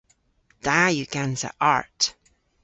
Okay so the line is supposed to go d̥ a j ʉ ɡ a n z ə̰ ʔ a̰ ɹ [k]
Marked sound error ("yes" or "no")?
yes